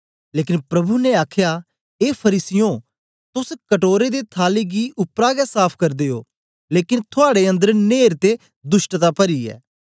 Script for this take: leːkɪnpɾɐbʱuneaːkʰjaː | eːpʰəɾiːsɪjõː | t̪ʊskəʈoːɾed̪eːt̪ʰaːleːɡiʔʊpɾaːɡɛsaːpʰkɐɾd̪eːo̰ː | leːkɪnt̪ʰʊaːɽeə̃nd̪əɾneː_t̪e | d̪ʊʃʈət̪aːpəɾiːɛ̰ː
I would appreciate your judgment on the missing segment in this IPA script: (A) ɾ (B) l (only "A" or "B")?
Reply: A